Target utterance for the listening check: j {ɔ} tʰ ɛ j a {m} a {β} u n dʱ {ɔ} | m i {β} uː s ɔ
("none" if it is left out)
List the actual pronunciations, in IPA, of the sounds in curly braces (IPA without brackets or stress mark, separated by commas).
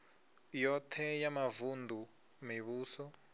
ɔ, m, v, u, β